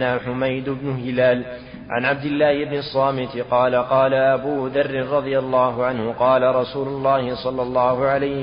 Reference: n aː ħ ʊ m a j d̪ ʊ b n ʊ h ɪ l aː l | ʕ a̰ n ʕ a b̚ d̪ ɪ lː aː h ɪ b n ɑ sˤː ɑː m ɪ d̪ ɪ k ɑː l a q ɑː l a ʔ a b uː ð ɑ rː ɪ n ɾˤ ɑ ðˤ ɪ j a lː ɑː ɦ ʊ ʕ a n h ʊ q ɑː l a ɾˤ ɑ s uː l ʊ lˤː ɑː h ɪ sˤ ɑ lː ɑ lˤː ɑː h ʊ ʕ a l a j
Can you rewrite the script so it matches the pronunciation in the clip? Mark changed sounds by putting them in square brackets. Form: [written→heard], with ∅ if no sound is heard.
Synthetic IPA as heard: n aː ħ ʊ m a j d̪ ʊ b n ʊ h ɪ l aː l | ʕ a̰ n ʕ a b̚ d̪ ɪ lː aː h ɪ b n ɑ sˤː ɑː m ɪ [d̪→t̪] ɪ [k→q] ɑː l a q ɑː l a ʔ a b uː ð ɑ rː ɪ n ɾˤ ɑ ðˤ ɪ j a lː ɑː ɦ ʊ ʕ a n h ʊ q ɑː l a ɾˤ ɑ s uː l ʊ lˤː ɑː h ɪ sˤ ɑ lː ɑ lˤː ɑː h ʊ ʕ a l a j